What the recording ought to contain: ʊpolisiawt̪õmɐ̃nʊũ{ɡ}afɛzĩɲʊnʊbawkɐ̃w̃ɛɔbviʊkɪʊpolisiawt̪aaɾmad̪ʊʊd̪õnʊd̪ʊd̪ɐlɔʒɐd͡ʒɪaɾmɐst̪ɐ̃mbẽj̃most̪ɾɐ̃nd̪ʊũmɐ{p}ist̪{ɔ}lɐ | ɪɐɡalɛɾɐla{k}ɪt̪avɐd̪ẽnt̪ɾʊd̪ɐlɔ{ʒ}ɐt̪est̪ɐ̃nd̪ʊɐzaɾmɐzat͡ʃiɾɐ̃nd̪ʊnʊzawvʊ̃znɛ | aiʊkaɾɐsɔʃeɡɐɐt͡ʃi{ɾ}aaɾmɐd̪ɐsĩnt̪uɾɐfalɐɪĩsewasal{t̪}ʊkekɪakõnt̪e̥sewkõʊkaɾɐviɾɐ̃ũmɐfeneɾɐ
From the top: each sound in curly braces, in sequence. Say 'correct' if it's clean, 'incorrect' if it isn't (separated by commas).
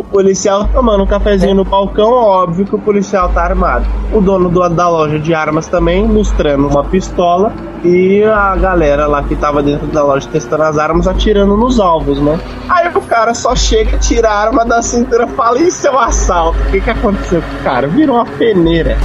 incorrect, correct, correct, correct, correct, correct, correct